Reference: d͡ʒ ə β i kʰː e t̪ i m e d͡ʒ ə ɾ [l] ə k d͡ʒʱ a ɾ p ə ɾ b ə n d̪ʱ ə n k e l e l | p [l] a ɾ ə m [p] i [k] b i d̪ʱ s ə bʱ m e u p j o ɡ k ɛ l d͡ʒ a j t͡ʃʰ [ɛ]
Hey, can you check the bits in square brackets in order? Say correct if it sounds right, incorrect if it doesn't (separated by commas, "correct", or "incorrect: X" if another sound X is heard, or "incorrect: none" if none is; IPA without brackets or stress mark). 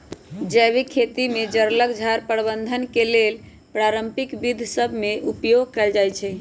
correct, incorrect: ɾ, correct, correct, correct